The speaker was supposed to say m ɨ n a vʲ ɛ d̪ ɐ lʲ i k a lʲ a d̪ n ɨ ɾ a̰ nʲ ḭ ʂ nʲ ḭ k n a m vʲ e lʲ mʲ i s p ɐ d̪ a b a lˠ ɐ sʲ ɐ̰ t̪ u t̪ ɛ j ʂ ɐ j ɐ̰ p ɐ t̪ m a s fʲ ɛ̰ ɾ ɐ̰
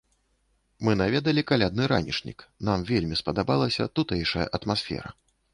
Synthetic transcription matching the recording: m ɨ n a vʲ ɛ d̪ ɐ lʲ i k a lʲ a d̪ n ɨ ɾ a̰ nʲ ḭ ʂ nʲ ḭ k n a m vʲ e lʲ mʲ i s p ɐ d̪ a b a lˠ ɐ sʲ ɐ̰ t̪ u t̪ ɛ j ʂ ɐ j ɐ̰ ʔ ɐ t̪ m a s fʲ ɛ̰ ɾ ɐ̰

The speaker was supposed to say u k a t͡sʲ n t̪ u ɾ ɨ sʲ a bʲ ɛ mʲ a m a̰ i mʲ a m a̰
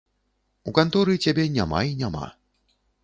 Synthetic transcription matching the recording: u k a n t̪ ɔ ɾ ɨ t͡sʲ a bʲ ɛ nʲ a m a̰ i nʲ a m a̰

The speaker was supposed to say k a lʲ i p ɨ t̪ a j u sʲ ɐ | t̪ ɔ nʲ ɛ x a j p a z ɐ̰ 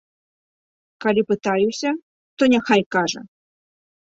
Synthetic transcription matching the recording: k a lʲ i p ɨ t̪ a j u sʲ ɐ | t̪ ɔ nʲ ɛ x a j k a ʐ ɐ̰

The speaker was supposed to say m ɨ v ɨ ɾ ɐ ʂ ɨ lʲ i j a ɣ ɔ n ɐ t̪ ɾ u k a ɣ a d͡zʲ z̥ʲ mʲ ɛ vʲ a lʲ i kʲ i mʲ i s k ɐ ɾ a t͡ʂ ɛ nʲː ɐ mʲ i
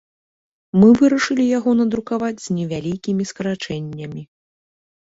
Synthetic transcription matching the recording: m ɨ v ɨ ɾ ɐ ʂ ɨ lʲ i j a ɣ ɔ n ɐ d̪ ɾ u k a v a d͡zʲ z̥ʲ nʲ ɛ vʲ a lʲ i kʲ i mʲ i s k ɐ ɾ a t͡ʂ ɛ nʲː ɐ mʲ i

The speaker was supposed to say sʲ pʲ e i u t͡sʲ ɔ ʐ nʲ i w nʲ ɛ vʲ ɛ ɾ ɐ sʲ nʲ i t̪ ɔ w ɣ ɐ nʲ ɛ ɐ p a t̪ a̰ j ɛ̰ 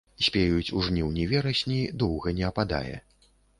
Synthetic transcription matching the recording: sʲ pʲ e j u t͡sʲ u ʐ nʲ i w nʲ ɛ vʲ ɛ ɾ ɐ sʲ nʲ i d̪ ɔ w ɣ ɐ nʲ ɛ ɐ p a d̪ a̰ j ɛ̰

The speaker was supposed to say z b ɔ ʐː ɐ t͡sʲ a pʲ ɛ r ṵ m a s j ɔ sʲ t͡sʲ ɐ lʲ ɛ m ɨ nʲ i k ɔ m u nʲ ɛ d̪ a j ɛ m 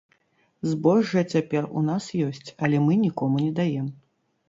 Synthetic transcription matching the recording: z b ɔ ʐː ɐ t͡sʲ a pʲ ɛ r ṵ n a s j ɔ sʲ t͡sʲ ɐ lʲ ɛ m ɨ nʲ i k ɔ m u nʲ ɛ d̪ a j ɛ m

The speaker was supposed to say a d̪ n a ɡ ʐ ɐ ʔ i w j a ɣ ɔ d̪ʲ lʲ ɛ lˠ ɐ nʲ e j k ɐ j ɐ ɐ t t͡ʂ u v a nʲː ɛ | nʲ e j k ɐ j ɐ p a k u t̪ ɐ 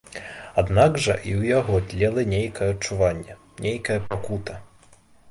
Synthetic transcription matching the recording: a d̪ n a ɡ ʐ ɐ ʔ i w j a ɣ ɔ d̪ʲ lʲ ɛ lˠ ɐ nʲ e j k ɐ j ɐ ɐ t t͡ʂ u v a nʲː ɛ | nʲ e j k ɐ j ɐ p a k u t̪ ɐ

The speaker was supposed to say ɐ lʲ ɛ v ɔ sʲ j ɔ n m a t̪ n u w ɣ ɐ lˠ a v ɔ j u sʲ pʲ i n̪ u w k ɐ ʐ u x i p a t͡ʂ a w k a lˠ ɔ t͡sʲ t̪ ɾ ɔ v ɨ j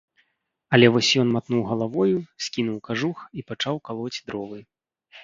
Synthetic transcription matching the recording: ɐ lʲ ɛ v ɔ sʲ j ɔ n m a t̪ n u w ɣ ɐ lˠ a v ɔ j u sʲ kʲ i n̪ u w k a ʐ u x i p a t͡ʂ a w k a lˠ ɔ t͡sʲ d̪ ɾ ɔ v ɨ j

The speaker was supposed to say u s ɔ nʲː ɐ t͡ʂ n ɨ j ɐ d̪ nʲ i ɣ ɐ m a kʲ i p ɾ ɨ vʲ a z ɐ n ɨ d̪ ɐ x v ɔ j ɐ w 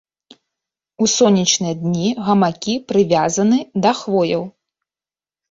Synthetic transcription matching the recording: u s ɔ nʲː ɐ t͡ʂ n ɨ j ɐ d̪ nʲ i ɣ ɐ m a kʲ i p ɾ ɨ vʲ a z ɐ n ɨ d̪ ɐ x v ɔ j ɐ w

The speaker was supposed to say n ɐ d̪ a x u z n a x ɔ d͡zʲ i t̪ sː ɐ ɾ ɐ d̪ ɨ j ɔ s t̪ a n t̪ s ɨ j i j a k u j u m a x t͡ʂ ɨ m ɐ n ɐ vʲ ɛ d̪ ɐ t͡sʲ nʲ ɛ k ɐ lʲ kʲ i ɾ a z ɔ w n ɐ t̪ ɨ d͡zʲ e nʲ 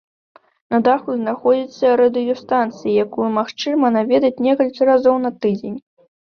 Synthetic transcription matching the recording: n ɐ d̪ a x u z n a x ɔ d͡zʲ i t̪ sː ɐ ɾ ɐ d̪ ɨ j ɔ s t̪ a n t̪ s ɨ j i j a k u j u m a x t͡ʂ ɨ m ɐ n a vʲ ɛ d̪ ɐ t͡sʲ nʲ ɛ k ɐ lʲ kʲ i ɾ a z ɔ w n ɐ t̪ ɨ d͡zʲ e nʲ

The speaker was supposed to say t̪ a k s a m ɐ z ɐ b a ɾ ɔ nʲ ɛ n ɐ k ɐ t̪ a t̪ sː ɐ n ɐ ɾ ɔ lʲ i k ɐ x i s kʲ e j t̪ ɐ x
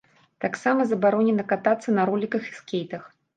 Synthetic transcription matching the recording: t̪ a k s a m ɐ z ɐ b a ɾ ɔ nʲ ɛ n ɐ k a t̪ a t̪ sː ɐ n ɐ ɾ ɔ lʲ i k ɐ x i s kʲ e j t̪ ɐ x

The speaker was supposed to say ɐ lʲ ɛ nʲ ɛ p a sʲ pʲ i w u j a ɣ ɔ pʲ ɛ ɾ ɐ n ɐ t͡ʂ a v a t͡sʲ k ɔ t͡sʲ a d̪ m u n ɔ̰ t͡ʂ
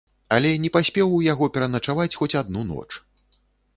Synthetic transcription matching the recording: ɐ lʲ ɛ nʲ ɛ p a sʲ pʲ ɛ w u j a ɣ ɔ pʲ ɛ ɾ ɐ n ɐ t͡ʂ a v a t͡sʲ x ɔ t͡sʲ a d̪ n u n ɔ̰ t͡ʂ

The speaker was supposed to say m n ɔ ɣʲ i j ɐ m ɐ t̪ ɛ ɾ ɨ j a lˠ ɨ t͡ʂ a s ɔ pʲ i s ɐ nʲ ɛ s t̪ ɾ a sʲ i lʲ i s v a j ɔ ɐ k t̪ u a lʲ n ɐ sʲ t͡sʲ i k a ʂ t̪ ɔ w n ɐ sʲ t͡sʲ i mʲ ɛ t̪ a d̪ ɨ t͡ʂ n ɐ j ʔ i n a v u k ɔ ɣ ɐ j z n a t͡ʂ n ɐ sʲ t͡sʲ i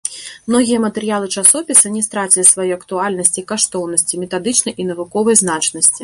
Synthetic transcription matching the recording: m n ɔ ɣʲ i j ɐ m ɐ t̪ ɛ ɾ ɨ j a lˠ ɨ t͡ʂ a s ɔ pʲ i s ɐ nʲ ɛ s t̪ ɾ a t͡sʲ i lʲ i s v a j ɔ ɐ k t̪ u a lʲ n ɐ sʲ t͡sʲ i k a ʂ t̪ ɔ w n ɐ sʲ t͡sʲ i mʲ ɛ t̪ a d̪ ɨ t͡ʂ n ɐ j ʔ i n ɐ v u k ɔ v ɐ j z n a t͡ʂ n ɐ sʲ t͡sʲ i

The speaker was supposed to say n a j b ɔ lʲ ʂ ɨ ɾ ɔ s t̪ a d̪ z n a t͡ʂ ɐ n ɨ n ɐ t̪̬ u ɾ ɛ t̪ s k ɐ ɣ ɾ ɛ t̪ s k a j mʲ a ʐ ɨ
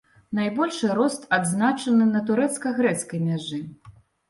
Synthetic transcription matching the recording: n a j b ɔ lʲ ʂ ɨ ɾ ɔ s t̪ a d̪ z n a t͡ʂ ɐ n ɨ n ɐ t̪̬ u ɾ ɛ t̪ s k ɐ ɣ ɾ ɛ t̪ s k ɐ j mʲ a ʐ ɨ

